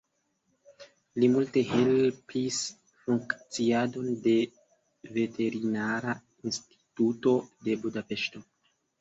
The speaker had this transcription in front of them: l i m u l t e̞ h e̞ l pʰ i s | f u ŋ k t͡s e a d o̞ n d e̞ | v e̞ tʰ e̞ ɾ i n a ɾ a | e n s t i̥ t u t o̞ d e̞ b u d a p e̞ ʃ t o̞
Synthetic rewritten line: l i m u l t e̞ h e̞ l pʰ i s | f u ŋ k t͡s i a d o̞ n d e̞ | v e̞ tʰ e̞ ɾ i n a ɾ a | i n s t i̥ t u t o̞ d e̞ b u d a p e̞ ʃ t o̞